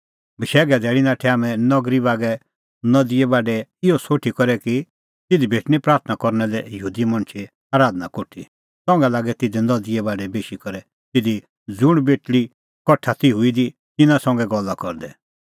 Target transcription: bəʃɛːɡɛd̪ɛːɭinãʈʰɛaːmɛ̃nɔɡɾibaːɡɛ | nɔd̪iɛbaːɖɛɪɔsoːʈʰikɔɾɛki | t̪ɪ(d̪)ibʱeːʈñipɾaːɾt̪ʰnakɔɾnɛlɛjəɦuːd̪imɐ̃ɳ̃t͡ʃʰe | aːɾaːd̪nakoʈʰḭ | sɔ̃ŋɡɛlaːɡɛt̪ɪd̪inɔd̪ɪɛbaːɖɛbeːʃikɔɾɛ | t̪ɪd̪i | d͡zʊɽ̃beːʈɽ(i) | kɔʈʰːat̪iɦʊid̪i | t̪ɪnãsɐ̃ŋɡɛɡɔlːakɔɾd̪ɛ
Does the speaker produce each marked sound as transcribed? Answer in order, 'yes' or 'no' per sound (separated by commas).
yes, yes